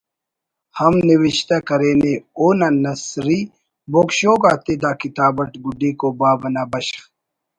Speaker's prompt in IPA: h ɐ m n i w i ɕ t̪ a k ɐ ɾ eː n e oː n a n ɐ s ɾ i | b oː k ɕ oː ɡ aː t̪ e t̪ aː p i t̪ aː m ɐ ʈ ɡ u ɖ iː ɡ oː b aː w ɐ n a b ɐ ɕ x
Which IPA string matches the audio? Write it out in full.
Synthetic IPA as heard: h ɐ m n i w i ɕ t̪ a k ɐ ɾ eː n e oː n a n ɐ s ɾ i | b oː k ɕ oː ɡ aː t̪ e d̪ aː k i t̪ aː b ɐ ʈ ɡ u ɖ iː k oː b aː b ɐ n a b ɐ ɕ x